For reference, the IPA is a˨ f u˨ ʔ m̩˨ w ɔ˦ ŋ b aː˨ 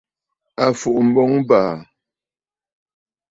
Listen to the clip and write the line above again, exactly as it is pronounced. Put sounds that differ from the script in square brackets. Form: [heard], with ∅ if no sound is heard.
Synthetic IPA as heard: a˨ f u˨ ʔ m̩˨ [b] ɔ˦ ŋ b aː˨